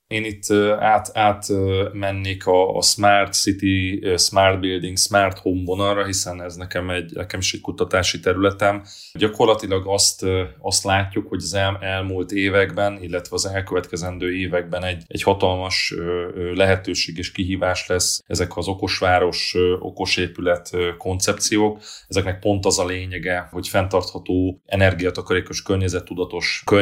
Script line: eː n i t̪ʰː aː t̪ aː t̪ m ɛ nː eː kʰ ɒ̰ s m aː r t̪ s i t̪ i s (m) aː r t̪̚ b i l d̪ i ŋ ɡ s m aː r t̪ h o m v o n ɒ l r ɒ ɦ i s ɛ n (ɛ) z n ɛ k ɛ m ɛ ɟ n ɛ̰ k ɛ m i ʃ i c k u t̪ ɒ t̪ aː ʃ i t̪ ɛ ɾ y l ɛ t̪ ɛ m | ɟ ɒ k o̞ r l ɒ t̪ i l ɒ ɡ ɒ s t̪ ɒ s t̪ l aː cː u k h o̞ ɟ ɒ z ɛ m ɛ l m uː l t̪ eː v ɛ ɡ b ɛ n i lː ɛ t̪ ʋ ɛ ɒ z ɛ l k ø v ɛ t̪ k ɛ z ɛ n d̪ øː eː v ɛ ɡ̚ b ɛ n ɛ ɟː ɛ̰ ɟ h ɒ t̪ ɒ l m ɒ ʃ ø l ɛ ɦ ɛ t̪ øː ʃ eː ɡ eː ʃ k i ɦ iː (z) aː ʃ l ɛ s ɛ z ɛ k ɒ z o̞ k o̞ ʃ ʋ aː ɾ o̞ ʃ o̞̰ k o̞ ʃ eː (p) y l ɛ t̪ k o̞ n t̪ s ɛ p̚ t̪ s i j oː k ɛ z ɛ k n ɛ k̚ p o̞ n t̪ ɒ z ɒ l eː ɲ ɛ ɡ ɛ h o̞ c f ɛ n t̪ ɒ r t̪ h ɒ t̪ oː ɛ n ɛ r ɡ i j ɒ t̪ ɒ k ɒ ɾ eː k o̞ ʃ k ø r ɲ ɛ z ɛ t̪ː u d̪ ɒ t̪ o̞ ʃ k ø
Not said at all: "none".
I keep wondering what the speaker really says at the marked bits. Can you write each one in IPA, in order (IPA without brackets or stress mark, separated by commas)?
m, ɛ, v, p